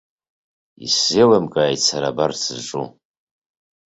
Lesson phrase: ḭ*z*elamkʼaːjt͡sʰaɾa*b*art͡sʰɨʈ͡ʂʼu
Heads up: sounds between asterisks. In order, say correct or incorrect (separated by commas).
incorrect, correct